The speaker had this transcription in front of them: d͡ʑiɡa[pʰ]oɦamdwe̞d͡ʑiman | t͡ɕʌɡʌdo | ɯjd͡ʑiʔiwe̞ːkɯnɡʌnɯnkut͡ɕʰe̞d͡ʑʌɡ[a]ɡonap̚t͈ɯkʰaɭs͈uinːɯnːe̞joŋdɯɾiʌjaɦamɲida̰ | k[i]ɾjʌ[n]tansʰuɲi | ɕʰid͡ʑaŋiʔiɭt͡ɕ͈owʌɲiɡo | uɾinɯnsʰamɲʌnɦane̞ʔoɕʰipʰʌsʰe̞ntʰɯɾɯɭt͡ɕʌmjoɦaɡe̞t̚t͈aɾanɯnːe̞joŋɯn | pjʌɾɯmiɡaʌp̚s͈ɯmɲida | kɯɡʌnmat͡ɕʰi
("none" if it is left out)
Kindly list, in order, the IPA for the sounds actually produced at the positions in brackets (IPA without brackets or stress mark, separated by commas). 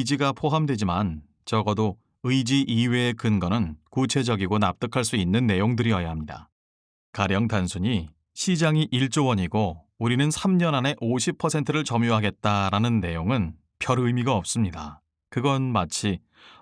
pʰ, i, a, ŋ